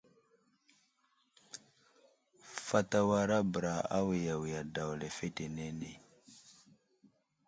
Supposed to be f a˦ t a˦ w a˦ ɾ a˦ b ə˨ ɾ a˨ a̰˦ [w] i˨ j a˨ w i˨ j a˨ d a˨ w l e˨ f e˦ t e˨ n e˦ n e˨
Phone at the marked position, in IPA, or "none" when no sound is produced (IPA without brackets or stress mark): w